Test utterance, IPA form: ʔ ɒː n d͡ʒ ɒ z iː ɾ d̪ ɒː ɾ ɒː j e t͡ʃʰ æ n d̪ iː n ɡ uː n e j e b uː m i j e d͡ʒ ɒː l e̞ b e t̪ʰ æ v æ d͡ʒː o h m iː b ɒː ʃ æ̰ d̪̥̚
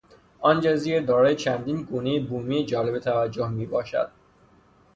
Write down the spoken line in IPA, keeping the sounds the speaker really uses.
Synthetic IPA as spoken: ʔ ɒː n d͡ʒ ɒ z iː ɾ d̪ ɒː ɾ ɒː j e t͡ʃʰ æ n d̪ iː n ɡ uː n e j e b uː m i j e d͡ʒ ɒː l e̞ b e t̪ʰ æ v æ d͡ʒː o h m iː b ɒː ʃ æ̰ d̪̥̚